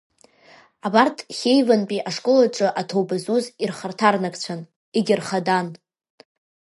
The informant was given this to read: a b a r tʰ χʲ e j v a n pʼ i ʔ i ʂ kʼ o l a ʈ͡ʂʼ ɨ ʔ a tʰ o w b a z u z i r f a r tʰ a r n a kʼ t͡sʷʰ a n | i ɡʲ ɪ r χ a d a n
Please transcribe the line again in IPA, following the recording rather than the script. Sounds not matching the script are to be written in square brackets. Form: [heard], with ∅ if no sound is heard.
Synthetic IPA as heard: a b a r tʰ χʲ e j v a n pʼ i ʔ [a] ʂ kʼ o l a ʈ͡ʂʼ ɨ ʔ a tʰ o w b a z u z i r [χ] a r tʰ a r n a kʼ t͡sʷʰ a n | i ɡʲ ɪ r χ a d a n